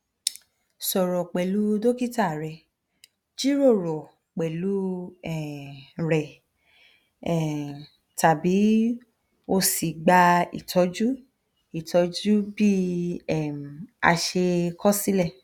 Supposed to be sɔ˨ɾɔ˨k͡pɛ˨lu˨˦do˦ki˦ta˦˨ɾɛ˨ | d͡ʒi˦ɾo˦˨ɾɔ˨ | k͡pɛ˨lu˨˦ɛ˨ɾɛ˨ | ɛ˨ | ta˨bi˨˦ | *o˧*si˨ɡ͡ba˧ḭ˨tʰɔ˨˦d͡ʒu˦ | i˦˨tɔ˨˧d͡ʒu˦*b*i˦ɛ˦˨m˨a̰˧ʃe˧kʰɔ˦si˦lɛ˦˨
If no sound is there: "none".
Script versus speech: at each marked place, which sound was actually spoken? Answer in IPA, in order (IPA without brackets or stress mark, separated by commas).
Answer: o˧, b